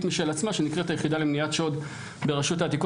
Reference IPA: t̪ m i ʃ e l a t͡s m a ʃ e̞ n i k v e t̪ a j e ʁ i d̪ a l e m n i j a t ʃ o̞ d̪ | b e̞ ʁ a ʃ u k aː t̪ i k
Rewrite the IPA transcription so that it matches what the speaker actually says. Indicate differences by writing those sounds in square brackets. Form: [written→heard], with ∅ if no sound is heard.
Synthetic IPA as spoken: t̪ m i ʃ e l a t͡s m a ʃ e̞ n i k [v→ʁ] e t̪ a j e [ʁ→χ] i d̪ a l e m n i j a t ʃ o̞ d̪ | b e̞ ʁ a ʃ u [k→t] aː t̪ i k

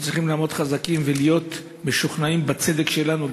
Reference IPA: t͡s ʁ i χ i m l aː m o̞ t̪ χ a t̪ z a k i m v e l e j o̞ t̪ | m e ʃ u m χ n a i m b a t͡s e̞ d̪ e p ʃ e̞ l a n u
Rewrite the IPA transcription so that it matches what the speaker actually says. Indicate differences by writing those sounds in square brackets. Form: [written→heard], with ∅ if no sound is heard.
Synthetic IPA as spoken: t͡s ʁ i χ i m l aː m o̞ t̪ χ a [t̪→∅] z a k i m v e l [e→i] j o̞ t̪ | m e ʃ u [m→∅] χ n a i m b a t͡s e̞ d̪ e [p→k] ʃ e̞ l a n u

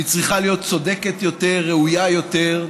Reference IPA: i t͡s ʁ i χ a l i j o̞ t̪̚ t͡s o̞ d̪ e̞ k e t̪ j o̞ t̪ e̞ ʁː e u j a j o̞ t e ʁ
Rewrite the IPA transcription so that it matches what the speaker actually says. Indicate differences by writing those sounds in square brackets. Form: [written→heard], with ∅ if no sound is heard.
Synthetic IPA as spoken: i t͡s ʁ i χ a l i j o̞ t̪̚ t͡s o̞ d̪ e̞ k e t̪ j o̞ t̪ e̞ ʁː e u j a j o̞ t e ʁ

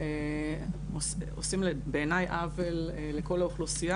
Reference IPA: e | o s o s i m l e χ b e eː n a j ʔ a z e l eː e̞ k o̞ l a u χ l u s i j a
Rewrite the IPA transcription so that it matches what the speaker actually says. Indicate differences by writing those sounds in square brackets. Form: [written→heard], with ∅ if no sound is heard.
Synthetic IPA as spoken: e | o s o s i m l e [χ→∅] b e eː n a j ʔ a [z→v] e l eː e̞ k o̞ l a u χ l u s i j a

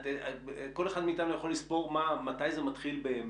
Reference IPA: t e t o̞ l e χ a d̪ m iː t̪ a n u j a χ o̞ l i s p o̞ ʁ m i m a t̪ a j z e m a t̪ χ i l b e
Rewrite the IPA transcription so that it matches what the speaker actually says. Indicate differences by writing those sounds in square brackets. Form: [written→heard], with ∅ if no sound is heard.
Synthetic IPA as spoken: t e [t→k] o̞ l e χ a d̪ m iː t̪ a n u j a χ o̞ l i s p o̞ ʁ m [i→a] m a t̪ a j z e m a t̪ χ i l b e

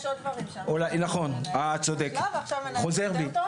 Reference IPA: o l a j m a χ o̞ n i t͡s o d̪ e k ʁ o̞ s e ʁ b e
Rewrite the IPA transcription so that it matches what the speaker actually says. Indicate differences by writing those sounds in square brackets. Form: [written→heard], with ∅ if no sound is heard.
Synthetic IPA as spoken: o l a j [m→n] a χ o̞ n [i→a] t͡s o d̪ e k [ʁ→χ] o̞ [s→z] e ʁ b [e→i]

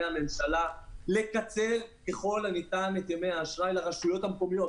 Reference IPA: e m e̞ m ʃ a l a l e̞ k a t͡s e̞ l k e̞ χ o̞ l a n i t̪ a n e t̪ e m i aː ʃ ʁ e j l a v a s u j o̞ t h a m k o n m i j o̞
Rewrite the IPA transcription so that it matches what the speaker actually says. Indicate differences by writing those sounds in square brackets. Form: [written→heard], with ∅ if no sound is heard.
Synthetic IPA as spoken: [e→a] m e̞ m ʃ a l a l e̞ k a t͡s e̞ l k e̞ χ o̞ l a n i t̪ a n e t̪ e m [i→e] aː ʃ ʁ [e→a] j l a [v→ʁ] a [s→ʃ] u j o̞ t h a m k o [n→∅] m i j o̞

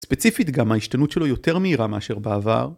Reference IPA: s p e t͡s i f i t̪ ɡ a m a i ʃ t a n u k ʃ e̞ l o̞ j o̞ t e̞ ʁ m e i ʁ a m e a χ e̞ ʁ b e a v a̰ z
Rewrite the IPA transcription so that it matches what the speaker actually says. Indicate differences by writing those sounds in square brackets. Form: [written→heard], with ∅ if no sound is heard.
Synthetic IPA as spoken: s p e t͡s i f i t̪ ɡ a m a i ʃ t a n u [k→t] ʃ e̞ l o̞ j o̞ t e̞ ʁ m e i ʁ a m e a [χ→ʃ] e̞ ʁ b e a v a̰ [z→ʁ]

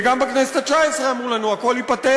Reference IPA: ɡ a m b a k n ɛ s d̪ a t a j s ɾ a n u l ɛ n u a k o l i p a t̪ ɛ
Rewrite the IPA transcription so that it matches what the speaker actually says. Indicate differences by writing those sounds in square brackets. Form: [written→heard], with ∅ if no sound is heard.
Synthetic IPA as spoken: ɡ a m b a k n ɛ s [d̪→t̪] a [t→t͡ʃ] a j s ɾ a [n→m] u l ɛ n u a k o l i p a t̪ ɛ

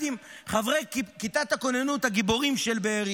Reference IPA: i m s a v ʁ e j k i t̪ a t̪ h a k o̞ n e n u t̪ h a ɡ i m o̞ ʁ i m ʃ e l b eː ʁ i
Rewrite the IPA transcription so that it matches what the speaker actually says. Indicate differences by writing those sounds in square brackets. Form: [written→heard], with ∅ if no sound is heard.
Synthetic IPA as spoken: i m [s→χ] a v ʁ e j k i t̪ a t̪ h a k o̞ n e n u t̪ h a ɡ i [m→b] o̞ ʁ i m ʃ e l b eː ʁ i

